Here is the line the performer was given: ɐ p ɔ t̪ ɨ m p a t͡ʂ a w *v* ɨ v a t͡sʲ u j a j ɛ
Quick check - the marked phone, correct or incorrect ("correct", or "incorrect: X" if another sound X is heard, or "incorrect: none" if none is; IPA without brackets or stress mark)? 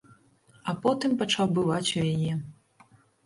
incorrect: b